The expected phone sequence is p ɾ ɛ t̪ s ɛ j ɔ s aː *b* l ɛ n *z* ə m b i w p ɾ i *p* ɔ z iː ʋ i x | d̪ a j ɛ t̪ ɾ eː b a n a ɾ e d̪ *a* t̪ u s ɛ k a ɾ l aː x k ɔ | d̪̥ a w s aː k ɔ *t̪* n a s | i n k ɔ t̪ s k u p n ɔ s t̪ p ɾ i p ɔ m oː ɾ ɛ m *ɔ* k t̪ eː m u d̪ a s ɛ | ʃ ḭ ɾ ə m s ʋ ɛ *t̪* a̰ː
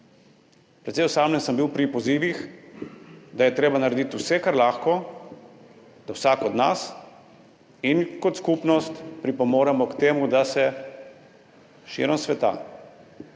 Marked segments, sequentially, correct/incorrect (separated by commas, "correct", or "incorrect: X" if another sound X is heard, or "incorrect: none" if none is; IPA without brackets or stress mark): incorrect: m, incorrect: s, correct, incorrect: i, incorrect: d̪, correct, correct